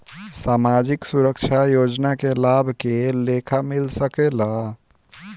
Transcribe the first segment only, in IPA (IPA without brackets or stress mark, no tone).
s